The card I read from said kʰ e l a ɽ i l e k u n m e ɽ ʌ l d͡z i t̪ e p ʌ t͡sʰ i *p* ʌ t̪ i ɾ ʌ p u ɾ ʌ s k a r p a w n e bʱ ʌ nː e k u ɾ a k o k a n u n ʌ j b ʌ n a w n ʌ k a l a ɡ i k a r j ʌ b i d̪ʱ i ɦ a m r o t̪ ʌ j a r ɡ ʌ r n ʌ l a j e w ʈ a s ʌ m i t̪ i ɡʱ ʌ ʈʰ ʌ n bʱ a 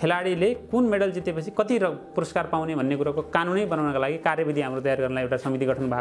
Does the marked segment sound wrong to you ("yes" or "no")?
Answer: yes